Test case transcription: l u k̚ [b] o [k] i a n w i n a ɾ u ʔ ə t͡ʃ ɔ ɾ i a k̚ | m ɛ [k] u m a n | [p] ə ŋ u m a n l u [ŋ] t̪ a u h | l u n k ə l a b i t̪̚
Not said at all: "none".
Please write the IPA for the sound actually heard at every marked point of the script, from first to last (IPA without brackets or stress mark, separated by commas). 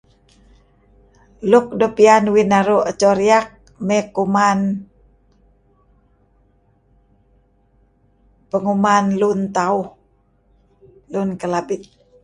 d, p, k, p, n